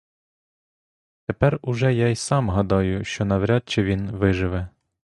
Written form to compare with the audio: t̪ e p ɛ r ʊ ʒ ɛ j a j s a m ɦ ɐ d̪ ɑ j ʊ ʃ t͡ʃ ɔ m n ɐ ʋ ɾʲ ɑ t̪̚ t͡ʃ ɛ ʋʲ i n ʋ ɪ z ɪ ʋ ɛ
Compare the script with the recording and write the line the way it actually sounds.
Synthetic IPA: t̪ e p ɛ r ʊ ʒ ɛ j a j s ɑ m ɦ ɐ d̪ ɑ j ʊ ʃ t͡ʃ ɔ n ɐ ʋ ɾʲ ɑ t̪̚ t͡ʃ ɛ ʋʲ i n ʋ ɪ ʒ ɪ ʋ ɛ